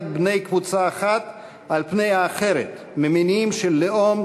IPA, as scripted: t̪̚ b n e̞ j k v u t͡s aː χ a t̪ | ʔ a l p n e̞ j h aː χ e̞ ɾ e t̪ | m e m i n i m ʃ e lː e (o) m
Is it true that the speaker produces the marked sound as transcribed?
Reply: yes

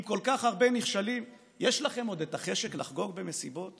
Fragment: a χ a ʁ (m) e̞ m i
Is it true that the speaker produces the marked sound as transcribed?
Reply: no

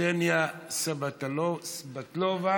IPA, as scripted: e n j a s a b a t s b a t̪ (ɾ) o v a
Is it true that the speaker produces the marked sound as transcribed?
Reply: no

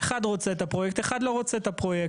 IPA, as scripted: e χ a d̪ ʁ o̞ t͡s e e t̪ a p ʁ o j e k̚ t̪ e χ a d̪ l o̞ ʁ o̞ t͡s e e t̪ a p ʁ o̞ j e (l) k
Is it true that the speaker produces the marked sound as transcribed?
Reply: no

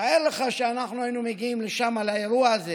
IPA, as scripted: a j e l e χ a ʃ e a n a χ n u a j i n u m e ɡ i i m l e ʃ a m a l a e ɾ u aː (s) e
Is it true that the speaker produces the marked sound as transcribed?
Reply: no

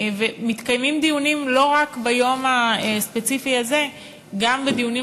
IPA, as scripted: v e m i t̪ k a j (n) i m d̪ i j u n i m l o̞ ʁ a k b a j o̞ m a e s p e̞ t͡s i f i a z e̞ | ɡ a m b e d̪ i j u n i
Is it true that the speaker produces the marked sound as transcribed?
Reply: no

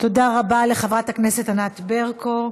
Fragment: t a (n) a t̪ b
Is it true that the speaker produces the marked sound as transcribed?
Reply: yes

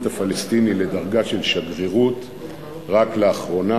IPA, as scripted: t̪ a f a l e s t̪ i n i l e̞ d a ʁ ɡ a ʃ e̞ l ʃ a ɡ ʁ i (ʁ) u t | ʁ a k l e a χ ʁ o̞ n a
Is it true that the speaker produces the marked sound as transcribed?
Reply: yes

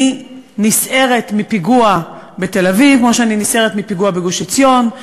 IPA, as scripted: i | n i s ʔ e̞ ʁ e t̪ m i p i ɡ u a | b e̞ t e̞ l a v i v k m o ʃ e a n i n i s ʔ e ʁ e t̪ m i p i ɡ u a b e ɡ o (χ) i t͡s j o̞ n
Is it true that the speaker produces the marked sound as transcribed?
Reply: no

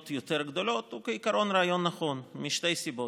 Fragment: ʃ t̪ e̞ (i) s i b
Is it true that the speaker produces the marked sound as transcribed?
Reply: no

